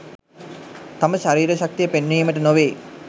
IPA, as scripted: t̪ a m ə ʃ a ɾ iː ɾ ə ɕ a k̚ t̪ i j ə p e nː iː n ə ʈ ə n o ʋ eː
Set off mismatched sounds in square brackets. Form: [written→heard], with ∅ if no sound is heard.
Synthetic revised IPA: t̪ a m ə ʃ a ɾ iː ɾ ə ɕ a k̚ t̪ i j ə p e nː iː [n→m] ə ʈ ə n o ʋ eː